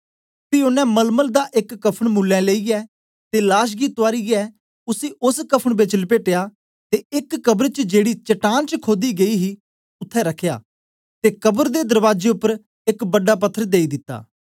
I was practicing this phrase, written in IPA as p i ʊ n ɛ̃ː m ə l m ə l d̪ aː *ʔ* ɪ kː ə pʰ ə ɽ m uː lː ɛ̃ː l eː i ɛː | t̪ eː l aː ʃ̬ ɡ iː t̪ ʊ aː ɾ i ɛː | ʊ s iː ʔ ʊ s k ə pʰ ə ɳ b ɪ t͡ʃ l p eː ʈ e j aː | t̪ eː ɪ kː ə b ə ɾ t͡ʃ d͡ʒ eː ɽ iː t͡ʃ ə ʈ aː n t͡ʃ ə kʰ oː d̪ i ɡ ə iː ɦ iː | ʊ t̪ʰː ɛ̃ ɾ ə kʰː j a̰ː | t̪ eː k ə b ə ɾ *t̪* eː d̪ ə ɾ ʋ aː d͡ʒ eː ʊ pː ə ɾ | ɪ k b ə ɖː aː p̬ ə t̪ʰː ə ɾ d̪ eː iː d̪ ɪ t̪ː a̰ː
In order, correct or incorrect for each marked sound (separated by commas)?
correct, incorrect